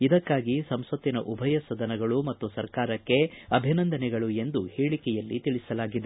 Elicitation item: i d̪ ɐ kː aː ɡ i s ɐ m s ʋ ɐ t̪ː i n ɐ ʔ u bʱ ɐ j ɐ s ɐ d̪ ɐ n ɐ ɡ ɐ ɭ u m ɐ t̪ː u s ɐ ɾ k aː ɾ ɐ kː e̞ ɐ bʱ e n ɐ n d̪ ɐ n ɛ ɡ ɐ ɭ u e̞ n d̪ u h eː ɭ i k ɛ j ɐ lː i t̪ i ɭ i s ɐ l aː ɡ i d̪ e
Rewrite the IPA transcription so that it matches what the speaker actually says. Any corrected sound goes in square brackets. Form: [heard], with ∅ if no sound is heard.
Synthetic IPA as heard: i d̪ ɐ kː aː ɡ i s ɐ m s ʋ ɐ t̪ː i n ɐ ʔ u bʱ ɐ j ɐ s ɐ d̪ ɐ n ɐ ɡ ɐ ɭ u m ɐ t̪ː u s ɐ ɾ k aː ɾ ɐ kː e̞ ɐ bʱ [i] n ɐ n d̪ ɐ n ɛ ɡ ɐ ɭ u e̞ n d̪ u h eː ɭ i k ɛ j ɐ lː i t̪ i ɭ i s ɐ l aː ɡ i d̪ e